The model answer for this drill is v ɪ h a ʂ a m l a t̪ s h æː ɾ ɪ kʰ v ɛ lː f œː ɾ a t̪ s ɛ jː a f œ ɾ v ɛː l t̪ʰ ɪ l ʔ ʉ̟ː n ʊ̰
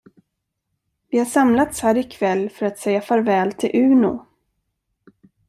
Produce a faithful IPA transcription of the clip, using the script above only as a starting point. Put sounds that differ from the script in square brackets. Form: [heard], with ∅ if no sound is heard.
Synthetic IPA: v ɪ h a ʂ a m l a t̪ s h æː ɾ ɪ kʰ v ɛ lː f [œ] ɾ a t̪ s ɛ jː a f œ ɾ v ɛː l t̪ʰ ɪ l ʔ ʉ̟ː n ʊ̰